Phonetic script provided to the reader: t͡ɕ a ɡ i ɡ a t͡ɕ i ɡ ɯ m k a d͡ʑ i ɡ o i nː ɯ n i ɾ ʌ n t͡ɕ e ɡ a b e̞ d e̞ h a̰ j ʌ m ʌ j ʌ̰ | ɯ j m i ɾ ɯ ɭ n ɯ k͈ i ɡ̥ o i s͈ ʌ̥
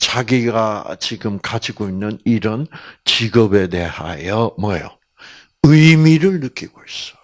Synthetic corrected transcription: t͡ɕ a ɡ i ɡ a t͡ɕ i ɡ ɯ m k a d͡ʑ i ɡ o i nː ɯ n i ɾ ʌ n t͡ɕ i ɡ ʌ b e̞ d e̞ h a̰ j ʌ m ʌ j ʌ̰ | ɯ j m i ɾ ɯ ɭ n ɯ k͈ i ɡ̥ o i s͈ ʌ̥